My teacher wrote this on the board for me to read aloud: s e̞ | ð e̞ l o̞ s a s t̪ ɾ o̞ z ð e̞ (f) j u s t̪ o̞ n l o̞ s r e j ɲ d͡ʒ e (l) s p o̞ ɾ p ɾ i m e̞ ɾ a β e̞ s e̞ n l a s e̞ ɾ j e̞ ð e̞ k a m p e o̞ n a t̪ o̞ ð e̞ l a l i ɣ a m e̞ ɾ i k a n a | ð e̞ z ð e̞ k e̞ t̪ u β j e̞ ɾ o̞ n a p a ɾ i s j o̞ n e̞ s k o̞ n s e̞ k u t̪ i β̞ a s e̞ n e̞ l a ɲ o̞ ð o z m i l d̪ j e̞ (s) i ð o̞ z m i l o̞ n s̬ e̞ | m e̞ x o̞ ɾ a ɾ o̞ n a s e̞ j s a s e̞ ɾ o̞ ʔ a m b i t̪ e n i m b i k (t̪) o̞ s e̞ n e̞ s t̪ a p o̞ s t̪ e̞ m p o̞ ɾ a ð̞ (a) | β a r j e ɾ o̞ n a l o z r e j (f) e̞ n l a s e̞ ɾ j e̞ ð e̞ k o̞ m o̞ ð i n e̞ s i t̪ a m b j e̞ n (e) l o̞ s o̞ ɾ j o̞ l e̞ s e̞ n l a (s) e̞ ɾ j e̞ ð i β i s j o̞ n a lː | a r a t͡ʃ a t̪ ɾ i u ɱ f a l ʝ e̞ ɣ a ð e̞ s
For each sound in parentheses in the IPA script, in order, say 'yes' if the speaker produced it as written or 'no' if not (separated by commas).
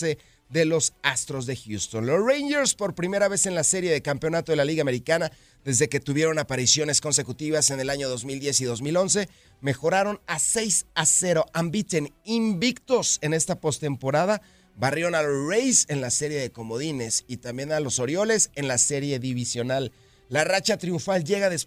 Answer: no, no, yes, yes, yes, no, no, yes